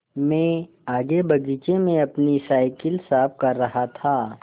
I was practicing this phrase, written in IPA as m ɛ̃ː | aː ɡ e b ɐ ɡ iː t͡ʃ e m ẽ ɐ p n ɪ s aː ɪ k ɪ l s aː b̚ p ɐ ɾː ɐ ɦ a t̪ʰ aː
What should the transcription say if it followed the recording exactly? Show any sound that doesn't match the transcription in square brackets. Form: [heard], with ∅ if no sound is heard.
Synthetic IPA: m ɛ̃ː | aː ɡ e b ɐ ɡ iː t͡ʃ e m ẽ ɐ p n [i] s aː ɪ k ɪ l s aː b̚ [k] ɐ ɾː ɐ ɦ a t̪ʰ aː